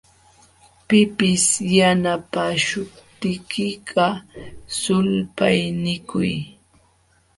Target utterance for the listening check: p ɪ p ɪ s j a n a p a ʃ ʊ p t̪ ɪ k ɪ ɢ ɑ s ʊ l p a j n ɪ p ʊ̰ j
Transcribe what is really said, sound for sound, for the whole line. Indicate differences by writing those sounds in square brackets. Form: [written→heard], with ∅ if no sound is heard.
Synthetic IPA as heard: p ɪ p ɪ s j a n a p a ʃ ʊ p t̪ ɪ k ɪ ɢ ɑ s ʊ l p a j n ɪ [p→k] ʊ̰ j